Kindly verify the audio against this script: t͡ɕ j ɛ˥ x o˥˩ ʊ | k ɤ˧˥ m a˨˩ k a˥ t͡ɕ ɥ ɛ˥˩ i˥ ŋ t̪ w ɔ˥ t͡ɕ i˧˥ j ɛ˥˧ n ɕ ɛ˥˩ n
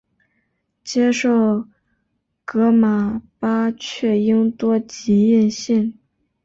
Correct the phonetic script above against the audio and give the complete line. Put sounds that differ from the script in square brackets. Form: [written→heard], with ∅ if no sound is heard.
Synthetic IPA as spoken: t͡ɕ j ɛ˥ [x→ʂ] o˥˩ ʊ | k ɤ˧˥ m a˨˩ [k→p] a˥ [t͡ɕ→t͡ɕʰ] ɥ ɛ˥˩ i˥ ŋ t̪ w ɔ˥ t͡ɕ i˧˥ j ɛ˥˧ n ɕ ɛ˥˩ n